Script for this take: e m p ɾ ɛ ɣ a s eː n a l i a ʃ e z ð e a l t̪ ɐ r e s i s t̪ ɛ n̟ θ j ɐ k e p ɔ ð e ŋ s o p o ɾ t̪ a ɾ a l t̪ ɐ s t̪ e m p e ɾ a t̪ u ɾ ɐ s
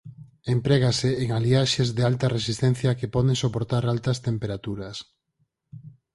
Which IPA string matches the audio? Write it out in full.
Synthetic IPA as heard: e m p ɾ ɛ ɣ a s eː ŋ a l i a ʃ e z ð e a l t̪ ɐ r e s i s t̪ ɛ n̟ θ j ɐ k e p ɔ ð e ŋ s o p o ɾ t̪ a ɾ a l t̪ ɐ s t̪ e m p e ɾ a t̪ u ɾ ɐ s